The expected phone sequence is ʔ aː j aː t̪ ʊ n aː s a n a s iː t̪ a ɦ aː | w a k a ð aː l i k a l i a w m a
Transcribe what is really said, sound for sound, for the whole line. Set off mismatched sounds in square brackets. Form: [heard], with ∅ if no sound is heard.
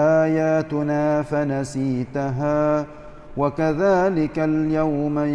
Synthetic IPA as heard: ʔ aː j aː t̪ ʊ n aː [f] a n a s iː t̪ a ɦ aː | w a k a ð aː l [ɪ] k a l [j] a w m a